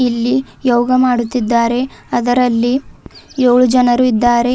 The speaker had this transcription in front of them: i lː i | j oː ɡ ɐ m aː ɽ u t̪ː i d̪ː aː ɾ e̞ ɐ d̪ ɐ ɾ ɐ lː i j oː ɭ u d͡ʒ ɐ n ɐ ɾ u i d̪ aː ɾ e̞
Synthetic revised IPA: i lː i | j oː ɡ ɐ m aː ɽ u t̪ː i d̪ː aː ɾ e̞ ɐ d̪ ɐ ɾ ɐ lː i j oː ɭ u d͡ʒ ɐ n ɐ ɾ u i d̪ː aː ɾ e̞

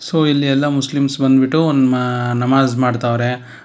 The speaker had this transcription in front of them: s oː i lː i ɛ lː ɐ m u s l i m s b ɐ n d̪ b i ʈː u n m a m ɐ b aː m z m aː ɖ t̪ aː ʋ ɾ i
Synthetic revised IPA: s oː i lː i ɛ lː ɐ m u s l i m s b ɐ n d̪ b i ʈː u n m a n ɐ m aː z m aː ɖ t̪ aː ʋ ɾ e

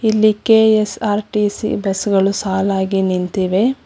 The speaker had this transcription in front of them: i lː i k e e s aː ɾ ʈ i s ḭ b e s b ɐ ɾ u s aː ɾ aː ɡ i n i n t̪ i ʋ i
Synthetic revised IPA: i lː i k e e s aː ɾ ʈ i s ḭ b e s ɡ ɐ ɭ u s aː l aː ɡ i n i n t̪ i ʋ e

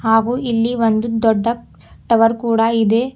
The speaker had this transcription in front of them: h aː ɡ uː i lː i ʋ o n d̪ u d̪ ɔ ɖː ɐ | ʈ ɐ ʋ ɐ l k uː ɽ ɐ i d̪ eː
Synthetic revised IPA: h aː ɡ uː i lː i ʋ o n d̪ u d̪ ɔ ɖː ɐ | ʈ ɐ ʋ ɐ ɾ k uː ɽ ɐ i d̪ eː

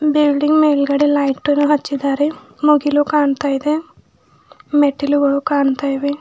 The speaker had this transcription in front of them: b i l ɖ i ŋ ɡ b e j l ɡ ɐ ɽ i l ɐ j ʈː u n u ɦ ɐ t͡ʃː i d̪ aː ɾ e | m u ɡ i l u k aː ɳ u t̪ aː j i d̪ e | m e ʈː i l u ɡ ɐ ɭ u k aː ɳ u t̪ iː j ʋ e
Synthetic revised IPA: b i l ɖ i ŋ ɡ m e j l ɡ ɐ ɽ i l ɐ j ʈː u n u ɦ ɐ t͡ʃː i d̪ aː ɾ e | m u ɡ i l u k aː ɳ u t̪ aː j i d̪ e | m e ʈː i l u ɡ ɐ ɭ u k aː ɳ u t̪ aː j ʋ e

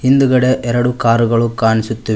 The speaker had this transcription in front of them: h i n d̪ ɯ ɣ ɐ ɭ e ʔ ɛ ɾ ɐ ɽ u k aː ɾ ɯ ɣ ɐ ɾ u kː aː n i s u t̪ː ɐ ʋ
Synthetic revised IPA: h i n d̪ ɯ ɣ ɐ ɽ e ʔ ɛ ɾ ɐ ɽ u k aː ɾ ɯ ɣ ɐ ɭ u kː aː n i s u t̪ː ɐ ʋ

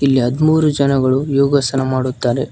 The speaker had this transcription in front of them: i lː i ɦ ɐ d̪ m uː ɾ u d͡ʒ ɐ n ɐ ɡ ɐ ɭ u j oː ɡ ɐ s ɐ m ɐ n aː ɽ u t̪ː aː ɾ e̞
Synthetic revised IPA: i lː i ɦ ɐ d̪ m uː ɾ u d͡ʒ ɐ n ɐ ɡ ɐ ɭ u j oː ɡ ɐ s ɐ n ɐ m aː ɽ u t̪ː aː ɾ e̞

